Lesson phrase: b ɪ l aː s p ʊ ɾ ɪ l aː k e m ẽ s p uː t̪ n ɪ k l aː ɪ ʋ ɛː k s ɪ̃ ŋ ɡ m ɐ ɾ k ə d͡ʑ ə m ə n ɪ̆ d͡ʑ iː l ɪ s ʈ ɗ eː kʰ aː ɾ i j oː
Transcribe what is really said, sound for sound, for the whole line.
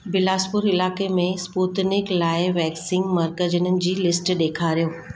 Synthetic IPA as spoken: b ɪ l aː s p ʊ ɾ ɪ l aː k e m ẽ s p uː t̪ n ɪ k l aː ɪ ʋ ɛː k s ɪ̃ ŋ ɡ m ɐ ɾ k ə d͡ʑ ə n ə n ɪ̆ d͡ʑ iː l ɪ s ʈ ɗ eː kʰ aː ɾ i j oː

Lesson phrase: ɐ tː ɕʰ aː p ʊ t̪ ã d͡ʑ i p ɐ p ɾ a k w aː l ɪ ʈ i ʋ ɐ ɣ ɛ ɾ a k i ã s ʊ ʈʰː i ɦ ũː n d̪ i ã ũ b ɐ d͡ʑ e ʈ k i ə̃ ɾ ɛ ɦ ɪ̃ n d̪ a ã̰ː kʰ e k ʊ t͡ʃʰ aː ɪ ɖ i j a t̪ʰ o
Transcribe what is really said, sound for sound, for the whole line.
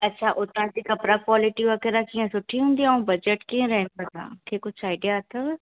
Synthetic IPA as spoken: ɐ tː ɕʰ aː ʔ ʊ t̪ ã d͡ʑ i k ɐ p ɾ a k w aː l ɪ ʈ i ʋ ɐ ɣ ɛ ɾ a k i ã s ʊ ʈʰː i ɦ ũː n d̪ i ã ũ b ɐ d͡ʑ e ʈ k i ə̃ ɾ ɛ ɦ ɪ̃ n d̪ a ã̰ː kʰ e k ʊ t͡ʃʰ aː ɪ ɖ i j a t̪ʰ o

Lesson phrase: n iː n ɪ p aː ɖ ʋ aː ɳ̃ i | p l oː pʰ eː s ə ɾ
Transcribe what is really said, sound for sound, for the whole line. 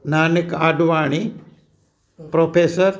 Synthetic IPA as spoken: n aː n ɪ k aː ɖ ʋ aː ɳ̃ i | p ɾ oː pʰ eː s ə ɾ

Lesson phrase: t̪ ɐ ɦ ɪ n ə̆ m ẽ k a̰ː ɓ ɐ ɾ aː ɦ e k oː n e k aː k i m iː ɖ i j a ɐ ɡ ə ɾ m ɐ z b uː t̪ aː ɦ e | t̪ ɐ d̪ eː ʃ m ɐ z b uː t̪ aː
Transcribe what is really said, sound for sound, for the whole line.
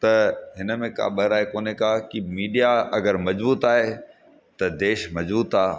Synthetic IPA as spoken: t̪ ɐ ɦ ɪ n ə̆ m ẽ k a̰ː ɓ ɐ ɾ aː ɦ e k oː n e k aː k i m iː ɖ i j a ɐ ɡ ə ɾ m ɐ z b uː t̪ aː ɦ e | t̪ ɐ d̪ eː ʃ m ɐ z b uː t̪ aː

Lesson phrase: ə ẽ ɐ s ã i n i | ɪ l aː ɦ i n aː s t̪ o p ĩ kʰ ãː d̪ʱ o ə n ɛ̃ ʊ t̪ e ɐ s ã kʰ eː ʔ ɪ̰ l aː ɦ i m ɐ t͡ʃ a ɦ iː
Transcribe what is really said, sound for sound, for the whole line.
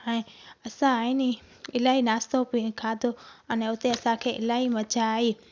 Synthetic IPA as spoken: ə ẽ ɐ s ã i n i | ɪ l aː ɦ i n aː s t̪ o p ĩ kʰ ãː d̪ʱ o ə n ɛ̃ ʊ t̪ e ɐ s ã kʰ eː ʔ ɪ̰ l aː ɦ i m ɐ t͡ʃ a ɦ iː

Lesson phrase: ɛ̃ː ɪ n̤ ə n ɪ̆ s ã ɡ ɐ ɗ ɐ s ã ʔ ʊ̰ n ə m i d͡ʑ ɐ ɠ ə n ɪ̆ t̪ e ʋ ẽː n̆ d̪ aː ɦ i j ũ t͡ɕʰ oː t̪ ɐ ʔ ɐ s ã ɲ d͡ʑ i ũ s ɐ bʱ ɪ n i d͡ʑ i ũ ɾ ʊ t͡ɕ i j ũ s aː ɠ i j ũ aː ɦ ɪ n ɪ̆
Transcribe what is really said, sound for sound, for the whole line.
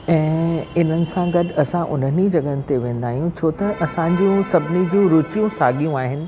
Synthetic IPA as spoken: ɛ̃ː ɪ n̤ ə n ɪ̆ s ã ɡ ɐ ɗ ɐ s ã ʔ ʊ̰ n ə n i d͡ʑ ɐ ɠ ə n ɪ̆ t̪ e ʋ ẽː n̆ d̪ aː ɦ i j ũ t͡ɕʰ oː t̪ ɐ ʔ ɐ s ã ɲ d͡ʑ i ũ s ɐ bʱ ɪ n i d͡ʑ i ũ ɾ ʊ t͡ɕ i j ũ s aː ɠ i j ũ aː ɦ ɪ n ɪ̆

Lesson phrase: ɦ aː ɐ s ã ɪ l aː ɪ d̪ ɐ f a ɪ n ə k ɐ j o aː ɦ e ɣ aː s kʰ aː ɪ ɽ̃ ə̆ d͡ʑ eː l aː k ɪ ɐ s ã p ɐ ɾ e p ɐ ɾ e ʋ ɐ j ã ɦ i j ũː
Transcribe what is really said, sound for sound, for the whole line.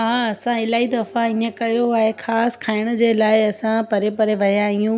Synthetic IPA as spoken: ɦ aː ɐ s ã ɪ l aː i d̪ ɐ f a ɪ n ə k ɐ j o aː ɦ e x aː s kʰ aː ɪ ɽ̃ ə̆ d͡ʑ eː l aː ɪ ɐ s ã p ɐ ɾ e p ɐ ɾ e ʋ ɐ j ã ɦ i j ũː

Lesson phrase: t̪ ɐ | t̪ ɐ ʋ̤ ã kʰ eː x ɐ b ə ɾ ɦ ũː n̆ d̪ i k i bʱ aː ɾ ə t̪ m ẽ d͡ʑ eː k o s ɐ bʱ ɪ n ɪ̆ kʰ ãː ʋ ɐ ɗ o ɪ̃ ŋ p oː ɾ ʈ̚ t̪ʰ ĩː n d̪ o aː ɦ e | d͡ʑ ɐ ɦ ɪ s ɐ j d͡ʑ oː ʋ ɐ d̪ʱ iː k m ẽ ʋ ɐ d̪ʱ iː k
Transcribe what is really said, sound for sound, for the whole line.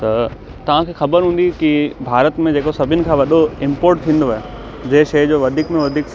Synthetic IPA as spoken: t̪ ɐ | t̪ ɐ ʋ̤ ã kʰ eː x ɐ b ə ɾ ɦ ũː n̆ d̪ i k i bʱ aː ɾ ə t̪ m ẽ d͡ʑ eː k o s ɐ bʱ ɪ n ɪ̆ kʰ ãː ʋ ɐ ɗ o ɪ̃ m p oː ɾ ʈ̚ t̪ʰ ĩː n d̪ o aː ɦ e | d͡ʑ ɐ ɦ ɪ ʃ ɐ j d͡ʑ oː ʋ ɐ d̪ʱ iː k m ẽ ʋ ɐ d̪ʱ iː k

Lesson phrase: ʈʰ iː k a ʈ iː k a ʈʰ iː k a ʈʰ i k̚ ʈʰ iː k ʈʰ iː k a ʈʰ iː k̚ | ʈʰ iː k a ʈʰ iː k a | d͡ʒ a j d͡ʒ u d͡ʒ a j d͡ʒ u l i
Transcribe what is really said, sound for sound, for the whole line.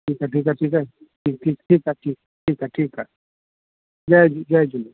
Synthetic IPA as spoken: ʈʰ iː k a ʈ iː k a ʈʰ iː k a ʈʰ i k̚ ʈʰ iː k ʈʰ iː k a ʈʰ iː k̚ | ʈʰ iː k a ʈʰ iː k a | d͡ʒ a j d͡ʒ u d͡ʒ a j d͡ʒ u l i

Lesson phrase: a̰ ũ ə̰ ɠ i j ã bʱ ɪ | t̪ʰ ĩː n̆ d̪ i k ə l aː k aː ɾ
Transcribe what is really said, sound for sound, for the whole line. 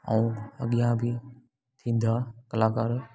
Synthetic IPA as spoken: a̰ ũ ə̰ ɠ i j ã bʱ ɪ | t̪ʰ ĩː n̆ d̪ a k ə l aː k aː ɾ

